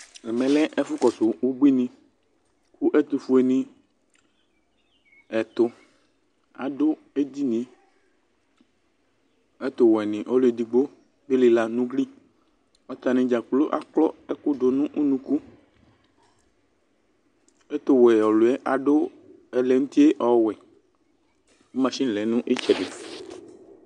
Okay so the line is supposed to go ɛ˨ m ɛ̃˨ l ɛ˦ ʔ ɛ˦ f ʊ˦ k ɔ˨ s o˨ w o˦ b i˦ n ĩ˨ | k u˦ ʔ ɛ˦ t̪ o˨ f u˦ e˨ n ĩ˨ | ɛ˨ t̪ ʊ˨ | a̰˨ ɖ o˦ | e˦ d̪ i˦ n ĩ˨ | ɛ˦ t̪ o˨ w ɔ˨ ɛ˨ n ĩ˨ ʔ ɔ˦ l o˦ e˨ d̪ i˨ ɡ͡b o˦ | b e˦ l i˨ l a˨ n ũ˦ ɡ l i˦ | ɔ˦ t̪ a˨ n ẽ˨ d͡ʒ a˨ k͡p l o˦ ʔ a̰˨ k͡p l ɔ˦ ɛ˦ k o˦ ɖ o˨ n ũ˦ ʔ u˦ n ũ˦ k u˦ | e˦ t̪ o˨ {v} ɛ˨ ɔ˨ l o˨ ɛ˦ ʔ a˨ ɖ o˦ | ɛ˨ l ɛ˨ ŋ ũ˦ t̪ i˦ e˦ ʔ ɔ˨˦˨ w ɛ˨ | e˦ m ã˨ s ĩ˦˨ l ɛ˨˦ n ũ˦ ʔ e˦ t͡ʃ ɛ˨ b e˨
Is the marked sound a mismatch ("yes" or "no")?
yes